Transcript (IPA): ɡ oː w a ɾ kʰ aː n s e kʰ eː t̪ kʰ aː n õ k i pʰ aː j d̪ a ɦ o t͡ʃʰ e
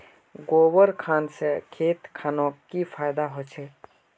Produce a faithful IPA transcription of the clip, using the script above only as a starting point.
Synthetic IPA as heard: ɡ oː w ə ɾ kʰ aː n s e kʰ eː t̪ kʰ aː n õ k i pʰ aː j d̪ a ɦ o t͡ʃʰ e

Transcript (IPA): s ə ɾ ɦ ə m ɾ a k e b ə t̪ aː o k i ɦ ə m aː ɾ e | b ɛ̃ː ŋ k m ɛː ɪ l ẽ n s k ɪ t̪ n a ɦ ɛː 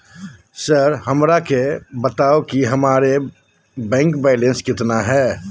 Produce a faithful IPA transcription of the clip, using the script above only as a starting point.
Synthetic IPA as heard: s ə ɾ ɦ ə m ɾ a k e b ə t̪ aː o k i ɦ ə m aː ɾ e | b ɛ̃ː ŋ k b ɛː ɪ l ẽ n s k ɪ t̪ n a ɦ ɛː

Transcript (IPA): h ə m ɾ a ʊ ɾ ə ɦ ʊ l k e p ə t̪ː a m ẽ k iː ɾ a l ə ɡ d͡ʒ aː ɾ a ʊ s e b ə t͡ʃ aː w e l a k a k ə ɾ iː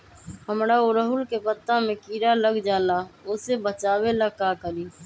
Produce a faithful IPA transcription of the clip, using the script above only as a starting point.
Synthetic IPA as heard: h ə m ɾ a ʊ ɾ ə ɦ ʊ l k e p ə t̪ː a m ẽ k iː ɾ a l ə ɡ d͡ʒ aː l a ʊ s e b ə t͡ʃ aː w e l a k a k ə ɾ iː

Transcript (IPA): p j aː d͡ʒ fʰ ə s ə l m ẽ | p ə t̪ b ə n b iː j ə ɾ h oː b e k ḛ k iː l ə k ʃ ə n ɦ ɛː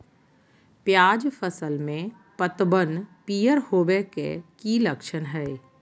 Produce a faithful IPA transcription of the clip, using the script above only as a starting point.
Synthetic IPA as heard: p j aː d͡ʒ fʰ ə s ə l m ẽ | p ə t̪ b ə n p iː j ə ɾ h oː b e k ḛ k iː l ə k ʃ ə n ɦ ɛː

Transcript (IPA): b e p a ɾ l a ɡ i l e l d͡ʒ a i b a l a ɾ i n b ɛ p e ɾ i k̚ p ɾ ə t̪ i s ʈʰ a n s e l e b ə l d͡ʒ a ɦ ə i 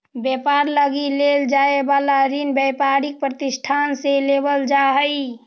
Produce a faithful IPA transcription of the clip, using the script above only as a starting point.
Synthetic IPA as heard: b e p a ɾ l ə ɡ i l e l d͡ʒ a e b a l a ɾ i n b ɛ p a ɾ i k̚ p ɾ ə t̪ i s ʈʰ a n s e l e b ə l d͡ʒ a ɦ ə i

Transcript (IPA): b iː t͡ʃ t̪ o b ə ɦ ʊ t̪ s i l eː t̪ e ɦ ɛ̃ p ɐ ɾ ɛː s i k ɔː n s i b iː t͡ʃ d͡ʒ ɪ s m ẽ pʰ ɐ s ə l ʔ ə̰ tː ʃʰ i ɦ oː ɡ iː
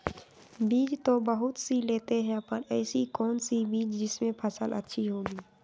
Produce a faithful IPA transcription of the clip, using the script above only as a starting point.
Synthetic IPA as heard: b iː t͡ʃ t̪ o b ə ɦ ʊ t̪ s i l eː t̪ e ɦ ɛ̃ p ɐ ɾ ɛː s i k ɔː n s i b iː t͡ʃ d͡ʒ ɪ s m ẽ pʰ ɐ s ə l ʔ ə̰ tː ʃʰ i ɦ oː ɡ iː

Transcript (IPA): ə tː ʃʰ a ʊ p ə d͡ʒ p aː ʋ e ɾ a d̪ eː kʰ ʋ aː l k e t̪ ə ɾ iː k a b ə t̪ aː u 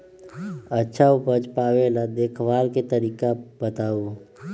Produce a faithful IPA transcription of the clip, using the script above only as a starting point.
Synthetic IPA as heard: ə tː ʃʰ a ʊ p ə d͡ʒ p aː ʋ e l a d̪ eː kʰ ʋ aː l k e t̪ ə ɾ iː k a b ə t̪ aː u

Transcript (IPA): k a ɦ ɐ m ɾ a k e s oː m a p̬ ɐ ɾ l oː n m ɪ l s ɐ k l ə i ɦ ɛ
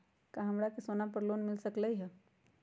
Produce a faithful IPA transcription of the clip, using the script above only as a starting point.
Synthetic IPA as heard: k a ɦ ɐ m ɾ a k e s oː n a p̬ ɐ ɾ l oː n m ɪ l s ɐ k l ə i ɦ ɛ

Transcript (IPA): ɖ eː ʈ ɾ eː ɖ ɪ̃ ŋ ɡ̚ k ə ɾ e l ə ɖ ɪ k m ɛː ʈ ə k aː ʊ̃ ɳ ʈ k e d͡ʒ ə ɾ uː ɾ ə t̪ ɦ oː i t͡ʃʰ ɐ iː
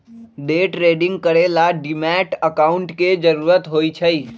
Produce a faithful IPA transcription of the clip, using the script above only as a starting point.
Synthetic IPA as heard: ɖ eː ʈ ɾ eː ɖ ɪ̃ ŋ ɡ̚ k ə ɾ e l a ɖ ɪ m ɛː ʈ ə k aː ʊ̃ ɳ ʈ k e d͡ʒ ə ɾ uː ɾ ə t̪ ɦ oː i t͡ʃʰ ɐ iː

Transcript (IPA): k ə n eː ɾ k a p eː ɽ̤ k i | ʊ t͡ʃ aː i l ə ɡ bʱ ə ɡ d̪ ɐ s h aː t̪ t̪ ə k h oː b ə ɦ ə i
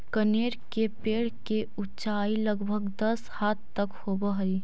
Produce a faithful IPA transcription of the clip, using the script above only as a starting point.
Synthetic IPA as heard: k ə n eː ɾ k e p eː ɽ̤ k e | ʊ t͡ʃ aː i l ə ɡ bʱ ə ɡ d̪ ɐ s h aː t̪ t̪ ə k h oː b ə ɦ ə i

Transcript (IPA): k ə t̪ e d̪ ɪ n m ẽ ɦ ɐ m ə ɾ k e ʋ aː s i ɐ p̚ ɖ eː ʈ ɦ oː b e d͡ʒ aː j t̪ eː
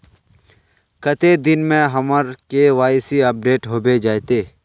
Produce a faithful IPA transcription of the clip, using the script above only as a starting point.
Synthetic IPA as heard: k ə t̪ e d̪ ɪ n m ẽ ɦ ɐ m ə ɾ k e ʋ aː s i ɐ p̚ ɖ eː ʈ ɦ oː b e d͡ʒ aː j t̪ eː

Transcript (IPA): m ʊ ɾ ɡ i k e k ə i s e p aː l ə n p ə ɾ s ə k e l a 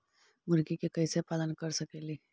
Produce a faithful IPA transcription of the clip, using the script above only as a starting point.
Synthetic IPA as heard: m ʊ ɾ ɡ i k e k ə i s e p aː l ə n k ə ɾ s ə k e l i

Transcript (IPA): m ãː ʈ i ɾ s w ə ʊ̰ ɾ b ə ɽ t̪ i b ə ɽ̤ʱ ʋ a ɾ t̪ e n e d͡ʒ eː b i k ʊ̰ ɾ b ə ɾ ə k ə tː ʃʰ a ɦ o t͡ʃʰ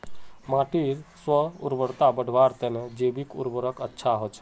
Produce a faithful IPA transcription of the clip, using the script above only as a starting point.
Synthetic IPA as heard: m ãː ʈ i ɾ s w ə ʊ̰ ɾ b ə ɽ t̪ a b ə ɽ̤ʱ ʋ a ɾ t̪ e n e d͡ʒ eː b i k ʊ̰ ɾ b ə ɾ ə k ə tː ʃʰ a ɦ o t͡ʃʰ

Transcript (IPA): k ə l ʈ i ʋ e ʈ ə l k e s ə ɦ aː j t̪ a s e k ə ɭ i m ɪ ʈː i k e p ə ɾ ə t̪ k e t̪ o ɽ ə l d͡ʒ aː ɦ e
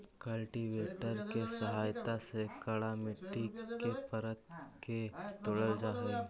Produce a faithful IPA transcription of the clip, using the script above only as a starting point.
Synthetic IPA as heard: k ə l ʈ i ʋ e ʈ ə ɾ k e s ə ɦ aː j t̪ a s e k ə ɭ a m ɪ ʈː i k e p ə ɾ ə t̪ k e t̪ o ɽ ə l d͡ʒ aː ɦ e

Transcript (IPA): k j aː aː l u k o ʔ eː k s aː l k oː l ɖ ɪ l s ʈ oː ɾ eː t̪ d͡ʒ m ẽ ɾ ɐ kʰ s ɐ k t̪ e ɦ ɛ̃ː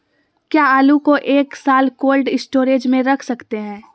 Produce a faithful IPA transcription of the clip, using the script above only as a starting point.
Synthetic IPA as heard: k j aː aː l u k o ʔ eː k s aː l k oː l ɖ ɪ s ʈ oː ɾ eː d͡ʒ m ẽ ɾ ɐ kʰ s ɐ k t̪ e ɦ ɛ̃ː

